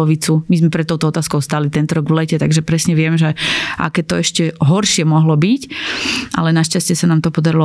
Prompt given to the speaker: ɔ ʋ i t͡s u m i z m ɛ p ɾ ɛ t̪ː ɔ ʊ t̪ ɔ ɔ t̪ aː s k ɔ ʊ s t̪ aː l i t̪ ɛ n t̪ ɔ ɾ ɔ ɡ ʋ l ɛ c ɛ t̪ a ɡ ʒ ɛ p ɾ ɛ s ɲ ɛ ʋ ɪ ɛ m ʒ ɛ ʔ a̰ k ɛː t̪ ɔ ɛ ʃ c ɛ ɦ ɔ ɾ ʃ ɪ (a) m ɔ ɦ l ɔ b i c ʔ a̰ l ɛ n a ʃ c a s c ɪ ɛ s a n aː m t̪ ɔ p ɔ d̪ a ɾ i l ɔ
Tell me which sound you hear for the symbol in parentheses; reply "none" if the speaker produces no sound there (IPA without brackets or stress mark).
ɛ